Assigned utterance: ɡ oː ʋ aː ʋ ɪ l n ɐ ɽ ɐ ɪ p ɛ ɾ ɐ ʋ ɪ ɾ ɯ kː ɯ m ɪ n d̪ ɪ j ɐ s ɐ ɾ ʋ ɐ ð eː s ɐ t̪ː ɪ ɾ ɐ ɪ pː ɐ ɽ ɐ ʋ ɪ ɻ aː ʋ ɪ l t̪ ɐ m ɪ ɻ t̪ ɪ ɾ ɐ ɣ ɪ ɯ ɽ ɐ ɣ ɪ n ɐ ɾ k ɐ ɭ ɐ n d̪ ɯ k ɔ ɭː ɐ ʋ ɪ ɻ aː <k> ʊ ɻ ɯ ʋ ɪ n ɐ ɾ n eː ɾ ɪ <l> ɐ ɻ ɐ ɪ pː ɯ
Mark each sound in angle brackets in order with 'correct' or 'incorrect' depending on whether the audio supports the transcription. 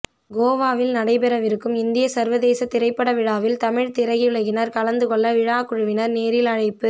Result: correct, correct

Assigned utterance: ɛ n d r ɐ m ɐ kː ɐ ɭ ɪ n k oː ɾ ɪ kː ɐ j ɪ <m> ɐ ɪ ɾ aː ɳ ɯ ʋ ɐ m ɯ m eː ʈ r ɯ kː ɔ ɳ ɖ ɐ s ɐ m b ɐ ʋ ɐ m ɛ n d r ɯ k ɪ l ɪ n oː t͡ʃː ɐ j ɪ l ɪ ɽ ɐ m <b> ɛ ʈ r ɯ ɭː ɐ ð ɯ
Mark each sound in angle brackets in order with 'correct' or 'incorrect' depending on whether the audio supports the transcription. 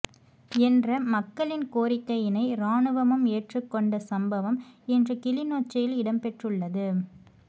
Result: incorrect: n, incorrect: p

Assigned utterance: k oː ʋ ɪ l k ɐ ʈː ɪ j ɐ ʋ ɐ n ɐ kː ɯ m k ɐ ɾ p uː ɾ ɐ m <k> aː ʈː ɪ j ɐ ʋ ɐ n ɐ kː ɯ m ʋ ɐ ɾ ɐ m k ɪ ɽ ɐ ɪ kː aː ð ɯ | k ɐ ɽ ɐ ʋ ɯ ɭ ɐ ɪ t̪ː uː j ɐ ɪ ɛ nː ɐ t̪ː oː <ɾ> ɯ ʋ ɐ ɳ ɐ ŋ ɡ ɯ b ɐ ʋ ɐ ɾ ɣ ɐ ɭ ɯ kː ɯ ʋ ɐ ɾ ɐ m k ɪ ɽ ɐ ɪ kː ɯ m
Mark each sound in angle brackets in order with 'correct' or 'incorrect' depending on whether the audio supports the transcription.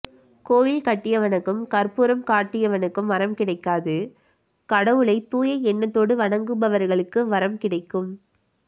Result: correct, incorrect: ɽ

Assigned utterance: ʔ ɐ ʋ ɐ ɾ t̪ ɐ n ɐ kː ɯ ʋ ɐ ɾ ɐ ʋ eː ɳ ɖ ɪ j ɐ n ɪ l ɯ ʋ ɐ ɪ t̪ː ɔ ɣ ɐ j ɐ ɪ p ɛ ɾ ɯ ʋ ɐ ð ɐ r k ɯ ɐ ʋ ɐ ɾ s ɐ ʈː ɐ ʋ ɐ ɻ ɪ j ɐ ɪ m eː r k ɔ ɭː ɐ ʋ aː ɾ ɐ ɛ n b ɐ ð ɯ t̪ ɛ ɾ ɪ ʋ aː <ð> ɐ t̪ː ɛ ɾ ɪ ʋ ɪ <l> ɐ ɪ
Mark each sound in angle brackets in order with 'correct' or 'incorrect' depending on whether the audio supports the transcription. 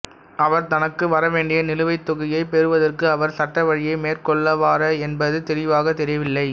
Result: incorrect: ɣ, incorrect: lː

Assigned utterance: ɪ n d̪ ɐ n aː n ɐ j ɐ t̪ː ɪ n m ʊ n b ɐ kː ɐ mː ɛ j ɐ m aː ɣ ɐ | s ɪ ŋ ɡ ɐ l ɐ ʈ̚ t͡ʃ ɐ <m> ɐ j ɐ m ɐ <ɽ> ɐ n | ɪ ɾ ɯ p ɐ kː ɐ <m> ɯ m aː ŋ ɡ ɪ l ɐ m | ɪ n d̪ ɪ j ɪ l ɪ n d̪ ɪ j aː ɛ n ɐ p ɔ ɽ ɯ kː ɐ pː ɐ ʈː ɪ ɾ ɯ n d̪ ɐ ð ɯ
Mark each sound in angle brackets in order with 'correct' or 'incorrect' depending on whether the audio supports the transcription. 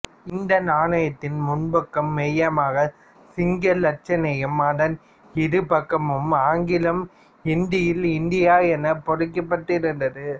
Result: incorrect: n, correct, correct

